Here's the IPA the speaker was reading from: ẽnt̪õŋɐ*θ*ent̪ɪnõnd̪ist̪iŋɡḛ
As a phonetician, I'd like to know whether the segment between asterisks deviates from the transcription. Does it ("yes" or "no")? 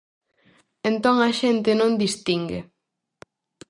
yes